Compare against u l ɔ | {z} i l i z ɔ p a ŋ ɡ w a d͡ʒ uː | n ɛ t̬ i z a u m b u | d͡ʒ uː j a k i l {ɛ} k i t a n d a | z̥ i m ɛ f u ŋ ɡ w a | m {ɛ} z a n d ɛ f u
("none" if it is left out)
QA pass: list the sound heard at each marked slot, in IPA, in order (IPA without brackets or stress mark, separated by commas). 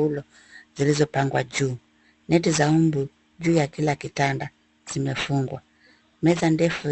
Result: z, a, ɛ